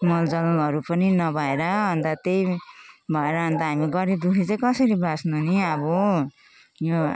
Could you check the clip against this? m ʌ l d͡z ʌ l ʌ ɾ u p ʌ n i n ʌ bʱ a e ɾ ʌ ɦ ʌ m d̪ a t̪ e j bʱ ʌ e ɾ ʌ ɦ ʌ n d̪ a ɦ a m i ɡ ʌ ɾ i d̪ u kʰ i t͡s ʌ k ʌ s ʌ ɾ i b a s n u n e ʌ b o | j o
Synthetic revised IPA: m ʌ l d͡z ʌ l ʌ ɾ u p ʌ n i n ʌ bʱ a e ɾ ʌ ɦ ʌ n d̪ a t̪ e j bʱ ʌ e ɾ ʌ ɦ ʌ n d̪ a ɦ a m i ɡ ʌ ɾ i d̪ u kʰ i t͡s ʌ k ʌ s ʌ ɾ i b a s n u n i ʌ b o | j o

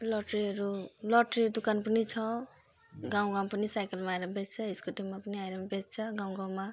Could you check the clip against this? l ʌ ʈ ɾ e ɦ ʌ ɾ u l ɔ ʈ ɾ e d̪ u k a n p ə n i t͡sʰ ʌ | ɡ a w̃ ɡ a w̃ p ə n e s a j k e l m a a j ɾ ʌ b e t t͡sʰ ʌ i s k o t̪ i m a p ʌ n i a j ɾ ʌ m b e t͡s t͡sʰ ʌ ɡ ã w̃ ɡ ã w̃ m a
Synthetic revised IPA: l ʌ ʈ ɾ i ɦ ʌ ɾ u l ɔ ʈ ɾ i d̪ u k a n p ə n i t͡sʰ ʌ | ɡ a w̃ ɡ a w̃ p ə n i s a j k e l m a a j ɾ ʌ b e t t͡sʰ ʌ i s k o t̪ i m a p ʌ n i a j ɾ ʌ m b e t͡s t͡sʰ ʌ ɡ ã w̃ ɡ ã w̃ m a

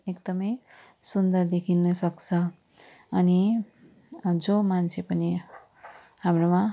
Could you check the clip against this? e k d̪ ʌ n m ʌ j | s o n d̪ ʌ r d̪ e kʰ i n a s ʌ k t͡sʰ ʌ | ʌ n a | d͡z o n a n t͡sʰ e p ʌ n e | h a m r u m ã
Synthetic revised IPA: e k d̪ ʌ m ʌ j | s u n d̪ ʌ r d̪ e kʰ i n ʌ s ʌ k t͡sʰ ʌ | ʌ n i | d͡z o m a n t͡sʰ e p ʌ n i | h a m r o m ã

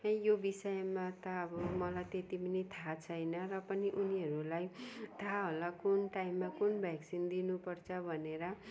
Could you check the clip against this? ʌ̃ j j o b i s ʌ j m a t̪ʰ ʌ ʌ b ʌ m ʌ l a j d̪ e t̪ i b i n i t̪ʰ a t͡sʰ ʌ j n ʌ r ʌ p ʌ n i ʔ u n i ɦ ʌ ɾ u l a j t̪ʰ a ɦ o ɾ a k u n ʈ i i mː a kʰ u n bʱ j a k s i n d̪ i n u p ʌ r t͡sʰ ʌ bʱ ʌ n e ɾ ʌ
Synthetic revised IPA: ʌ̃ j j o b i s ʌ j m a t̪ ʌ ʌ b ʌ m ʌ l a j t̪ e t̪ i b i n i t̪ʰ a t͡sʰ ʌ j n ʌ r ʌ p ʌ n i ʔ u n i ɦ ʌ ɾ u l a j t̪ʰ a ɦ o l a k u n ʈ a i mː a k u n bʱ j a k s i n d̪ i n u p ʌ r t͡sʰ ʌ bʱ ʌ n e ɾ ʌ

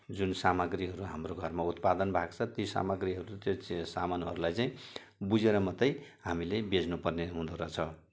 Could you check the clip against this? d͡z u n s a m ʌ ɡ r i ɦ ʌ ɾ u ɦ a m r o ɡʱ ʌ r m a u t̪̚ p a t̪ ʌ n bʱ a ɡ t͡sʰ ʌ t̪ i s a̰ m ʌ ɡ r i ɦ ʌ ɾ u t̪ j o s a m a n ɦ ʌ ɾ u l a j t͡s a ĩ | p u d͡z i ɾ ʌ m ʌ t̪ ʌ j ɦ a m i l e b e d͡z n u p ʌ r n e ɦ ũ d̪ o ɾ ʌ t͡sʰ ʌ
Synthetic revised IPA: d͡z u n s a m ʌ ɡ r i ɦ ʌ ɾ u ɦ a m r o ɡʱ ʌ r m a u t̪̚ p a d̪ ʌ n bʱ a ɡ t͡sʰ ʌ t̪ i s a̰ m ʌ ɡ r i ɦ ʌ ɾ u t̪ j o s a m a n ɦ ʌ ɾ u l a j t͡s a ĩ | b u d͡z e ɾ ʌ m ʌ t̪ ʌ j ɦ a m i l e b e d͡z n u p ʌ r n e ɦ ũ d̪ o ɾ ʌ t͡sʰ ʌ

